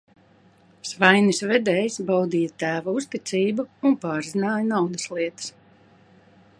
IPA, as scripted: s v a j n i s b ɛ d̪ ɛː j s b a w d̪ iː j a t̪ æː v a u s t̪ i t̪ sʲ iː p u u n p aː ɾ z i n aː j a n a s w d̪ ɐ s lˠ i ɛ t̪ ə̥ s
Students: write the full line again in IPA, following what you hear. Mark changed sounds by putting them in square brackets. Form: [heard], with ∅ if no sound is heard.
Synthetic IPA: s v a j n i s [v] ɛ d̪ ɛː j s b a w d̪ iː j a t̪ æː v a u s t̪ i t̪ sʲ iː [b] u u n p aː ɾ z i n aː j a n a [∅] w d̪ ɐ s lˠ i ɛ t̪ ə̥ s

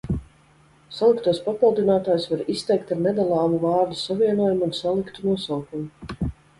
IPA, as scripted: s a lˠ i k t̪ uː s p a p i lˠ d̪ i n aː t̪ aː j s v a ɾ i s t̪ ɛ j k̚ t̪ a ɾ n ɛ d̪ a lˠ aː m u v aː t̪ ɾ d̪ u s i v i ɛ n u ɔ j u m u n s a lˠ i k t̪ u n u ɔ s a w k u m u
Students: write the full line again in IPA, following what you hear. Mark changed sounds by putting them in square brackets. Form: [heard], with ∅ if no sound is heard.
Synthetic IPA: s a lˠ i k t̪ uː s p a p i lˠ d̪ i n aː t̪ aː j s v a ɾ i s t̪ ɛ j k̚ t̪ a ɾ n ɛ d̪ a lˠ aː m u v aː [∅] ɾ d̪ u s [a] v i ɛ n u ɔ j u m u n s a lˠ i k t̪ u n u ɔ s a w k u m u

